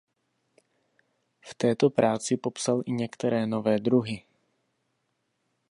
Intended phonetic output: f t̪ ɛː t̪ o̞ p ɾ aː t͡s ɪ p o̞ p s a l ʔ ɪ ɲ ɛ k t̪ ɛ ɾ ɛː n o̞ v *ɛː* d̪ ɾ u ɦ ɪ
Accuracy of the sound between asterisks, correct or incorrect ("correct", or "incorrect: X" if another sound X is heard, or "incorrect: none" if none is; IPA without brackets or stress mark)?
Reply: correct